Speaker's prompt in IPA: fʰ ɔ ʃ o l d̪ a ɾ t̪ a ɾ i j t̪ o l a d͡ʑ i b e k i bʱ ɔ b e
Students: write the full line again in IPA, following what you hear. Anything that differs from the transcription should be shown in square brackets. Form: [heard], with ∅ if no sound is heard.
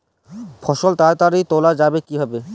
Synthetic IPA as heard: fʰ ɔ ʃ o l [t̪] a ɾ t̪ a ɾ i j t̪ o l a d͡ʑ [a] b e k i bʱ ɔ b e